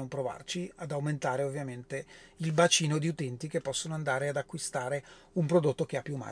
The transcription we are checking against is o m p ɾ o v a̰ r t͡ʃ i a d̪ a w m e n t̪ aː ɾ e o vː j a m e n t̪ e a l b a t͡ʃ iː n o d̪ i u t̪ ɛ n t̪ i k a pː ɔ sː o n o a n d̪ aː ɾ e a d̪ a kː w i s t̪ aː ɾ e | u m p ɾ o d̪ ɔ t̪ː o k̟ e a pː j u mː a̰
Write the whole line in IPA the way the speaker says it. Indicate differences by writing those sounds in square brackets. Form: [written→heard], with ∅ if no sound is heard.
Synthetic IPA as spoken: o m p ɾ o v a̰ r t͡ʃ i a d̪ a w m e n t̪ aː ɾ e o vː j a m e n t̪ e [a→i] l b a t͡ʃ iː n o d̪ i u t̪ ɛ n t̪ i k [a→e] pː ɔ sː o n o a n d̪ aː ɾ e a d̪ a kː w i s t̪ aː ɾ e | u m p ɾ o d̪ [ɔ→o] t̪ː o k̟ e a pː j u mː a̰